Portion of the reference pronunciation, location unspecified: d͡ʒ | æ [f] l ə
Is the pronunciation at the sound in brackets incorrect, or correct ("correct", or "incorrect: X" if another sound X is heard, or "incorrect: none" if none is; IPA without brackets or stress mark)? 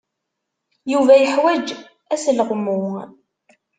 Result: incorrect: s